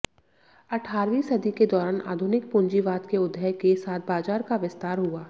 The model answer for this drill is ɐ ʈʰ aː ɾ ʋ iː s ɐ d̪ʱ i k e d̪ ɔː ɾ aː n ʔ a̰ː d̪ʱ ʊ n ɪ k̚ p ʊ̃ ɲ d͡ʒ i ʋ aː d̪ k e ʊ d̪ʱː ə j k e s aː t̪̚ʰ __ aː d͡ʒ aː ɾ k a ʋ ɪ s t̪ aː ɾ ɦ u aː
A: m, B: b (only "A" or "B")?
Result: B